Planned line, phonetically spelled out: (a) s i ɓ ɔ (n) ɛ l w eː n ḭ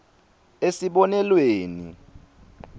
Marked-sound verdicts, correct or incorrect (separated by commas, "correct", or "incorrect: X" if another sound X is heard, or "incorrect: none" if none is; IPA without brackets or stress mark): incorrect: e, correct